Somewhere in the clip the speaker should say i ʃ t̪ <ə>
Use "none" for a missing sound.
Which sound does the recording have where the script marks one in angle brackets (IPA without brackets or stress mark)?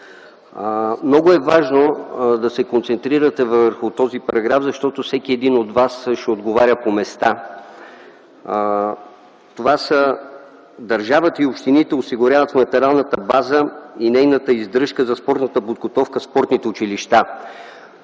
a